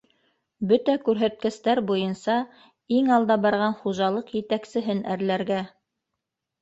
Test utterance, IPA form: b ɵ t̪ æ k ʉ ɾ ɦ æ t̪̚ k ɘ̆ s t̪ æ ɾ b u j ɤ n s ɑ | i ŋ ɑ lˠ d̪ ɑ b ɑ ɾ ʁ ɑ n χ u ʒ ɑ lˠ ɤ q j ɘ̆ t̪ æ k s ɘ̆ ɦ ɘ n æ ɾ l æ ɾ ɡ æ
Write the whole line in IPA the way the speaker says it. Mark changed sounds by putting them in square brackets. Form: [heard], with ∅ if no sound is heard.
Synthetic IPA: b ɵ t̪ æ k ʉ ɾ ɦ æ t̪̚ k ɘ̆ s t̪ æ ɾ b u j ɤ n s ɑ | i ŋ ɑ lˠ d̪ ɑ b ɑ ɾ ʁ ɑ n χ u ʒ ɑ lˠ ɤ q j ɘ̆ t̪ æ k s ɘ̆ ɦ ɘ n æ ɾ l æ ɾ ɡ æ